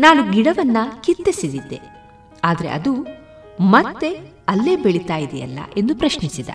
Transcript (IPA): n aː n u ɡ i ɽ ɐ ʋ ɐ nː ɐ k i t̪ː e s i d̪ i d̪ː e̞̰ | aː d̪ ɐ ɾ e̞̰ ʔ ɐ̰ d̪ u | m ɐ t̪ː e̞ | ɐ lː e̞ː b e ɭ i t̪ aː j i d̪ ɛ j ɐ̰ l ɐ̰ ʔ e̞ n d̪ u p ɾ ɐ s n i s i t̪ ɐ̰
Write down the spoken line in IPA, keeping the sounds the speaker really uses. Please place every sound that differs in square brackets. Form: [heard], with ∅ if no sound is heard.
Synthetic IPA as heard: n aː n u ɡ i ɽ ɐ ʋ ɐ nː ɐ k i t̪ː e s i d̪ i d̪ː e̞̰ | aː d̪ ɐ ɾ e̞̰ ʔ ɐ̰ d̪ u | m ɐ t̪ː e̞ | ɐ lː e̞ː b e ɭ i t̪ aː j i d̪ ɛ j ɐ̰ [lː] ɐ̰ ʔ e̞ n d̪ u p ɾ ɐ [ʃ] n i s i [d̪] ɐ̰